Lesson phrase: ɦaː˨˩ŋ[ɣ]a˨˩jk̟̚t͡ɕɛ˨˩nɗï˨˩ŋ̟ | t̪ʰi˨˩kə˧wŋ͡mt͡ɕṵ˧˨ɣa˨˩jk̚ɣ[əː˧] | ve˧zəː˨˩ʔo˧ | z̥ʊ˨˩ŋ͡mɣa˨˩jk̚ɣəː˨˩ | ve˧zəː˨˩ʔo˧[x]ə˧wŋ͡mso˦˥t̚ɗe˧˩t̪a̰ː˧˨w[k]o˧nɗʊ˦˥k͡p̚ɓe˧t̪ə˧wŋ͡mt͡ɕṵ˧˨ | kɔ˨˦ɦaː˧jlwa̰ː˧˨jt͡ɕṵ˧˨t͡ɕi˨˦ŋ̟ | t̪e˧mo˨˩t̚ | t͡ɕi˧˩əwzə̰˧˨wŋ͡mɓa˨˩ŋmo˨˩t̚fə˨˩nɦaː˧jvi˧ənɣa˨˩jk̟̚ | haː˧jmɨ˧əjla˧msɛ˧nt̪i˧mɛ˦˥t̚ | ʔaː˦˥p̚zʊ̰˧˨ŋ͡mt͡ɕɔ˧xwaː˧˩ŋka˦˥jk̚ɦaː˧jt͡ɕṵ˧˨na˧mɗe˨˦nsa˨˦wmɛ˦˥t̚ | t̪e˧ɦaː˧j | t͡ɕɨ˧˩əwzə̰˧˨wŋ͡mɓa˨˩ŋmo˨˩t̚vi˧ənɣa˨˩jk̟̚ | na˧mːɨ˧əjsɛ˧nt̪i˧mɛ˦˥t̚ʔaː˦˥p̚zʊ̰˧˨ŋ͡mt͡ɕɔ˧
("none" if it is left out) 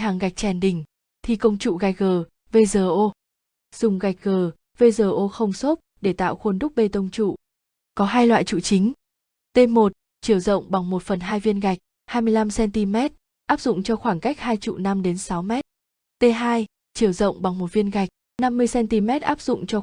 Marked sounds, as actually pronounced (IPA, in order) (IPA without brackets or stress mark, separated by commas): ɣ, əː˨˩, x, x